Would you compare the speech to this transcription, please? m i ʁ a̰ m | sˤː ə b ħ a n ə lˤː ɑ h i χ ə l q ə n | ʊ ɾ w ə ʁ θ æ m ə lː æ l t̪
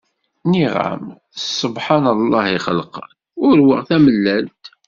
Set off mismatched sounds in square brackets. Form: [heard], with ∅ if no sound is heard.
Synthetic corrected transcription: [n] i ʁ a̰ m | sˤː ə b ħ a n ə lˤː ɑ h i χ ə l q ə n | ʊ ɾ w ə ʁ θ æ m ə lː æ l t̪